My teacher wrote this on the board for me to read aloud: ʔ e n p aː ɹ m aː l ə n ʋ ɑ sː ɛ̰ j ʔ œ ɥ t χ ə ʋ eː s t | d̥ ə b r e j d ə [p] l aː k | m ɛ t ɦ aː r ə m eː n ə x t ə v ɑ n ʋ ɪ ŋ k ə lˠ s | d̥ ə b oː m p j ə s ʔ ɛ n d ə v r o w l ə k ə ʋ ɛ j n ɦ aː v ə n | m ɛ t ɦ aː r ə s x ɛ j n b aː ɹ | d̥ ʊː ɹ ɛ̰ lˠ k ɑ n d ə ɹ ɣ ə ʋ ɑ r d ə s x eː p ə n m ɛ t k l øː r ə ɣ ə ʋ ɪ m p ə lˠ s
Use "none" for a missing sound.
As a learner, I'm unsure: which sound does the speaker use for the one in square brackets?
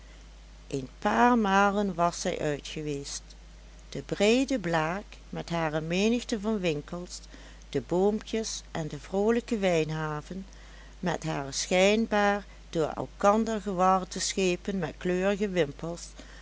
b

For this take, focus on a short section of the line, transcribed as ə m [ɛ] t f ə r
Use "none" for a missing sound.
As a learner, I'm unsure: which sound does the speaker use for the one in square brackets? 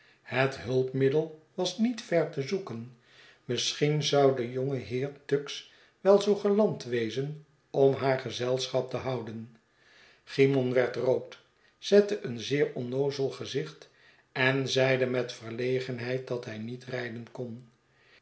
ɛ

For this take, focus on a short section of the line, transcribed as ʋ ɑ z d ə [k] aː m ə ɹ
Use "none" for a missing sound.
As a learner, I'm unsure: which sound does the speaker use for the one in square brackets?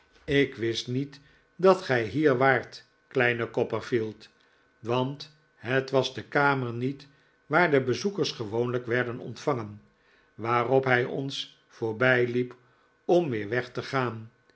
k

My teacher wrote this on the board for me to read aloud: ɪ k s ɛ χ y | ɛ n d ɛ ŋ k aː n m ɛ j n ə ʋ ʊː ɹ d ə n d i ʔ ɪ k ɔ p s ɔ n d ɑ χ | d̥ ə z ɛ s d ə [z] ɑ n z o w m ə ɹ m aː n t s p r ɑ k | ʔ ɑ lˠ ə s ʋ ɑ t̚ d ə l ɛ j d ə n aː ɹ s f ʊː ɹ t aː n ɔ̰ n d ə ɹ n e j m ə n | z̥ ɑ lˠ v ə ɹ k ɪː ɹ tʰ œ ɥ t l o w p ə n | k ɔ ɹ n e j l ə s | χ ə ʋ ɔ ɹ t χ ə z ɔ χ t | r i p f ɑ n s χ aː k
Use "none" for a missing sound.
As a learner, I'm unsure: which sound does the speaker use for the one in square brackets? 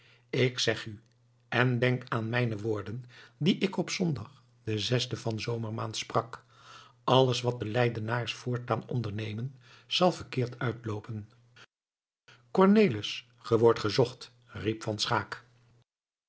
v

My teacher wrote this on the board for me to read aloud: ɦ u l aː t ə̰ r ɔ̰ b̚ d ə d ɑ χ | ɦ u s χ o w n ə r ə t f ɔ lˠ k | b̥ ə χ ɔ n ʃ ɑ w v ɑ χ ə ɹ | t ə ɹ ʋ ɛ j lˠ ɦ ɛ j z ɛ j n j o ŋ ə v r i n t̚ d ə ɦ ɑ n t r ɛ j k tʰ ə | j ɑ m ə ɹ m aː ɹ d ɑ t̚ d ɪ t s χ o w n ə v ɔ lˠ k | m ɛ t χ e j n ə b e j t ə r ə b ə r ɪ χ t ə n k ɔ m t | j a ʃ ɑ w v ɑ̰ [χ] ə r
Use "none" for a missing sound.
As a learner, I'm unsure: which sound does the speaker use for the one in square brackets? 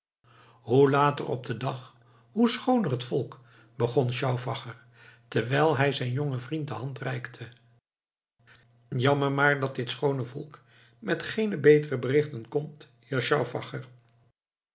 χ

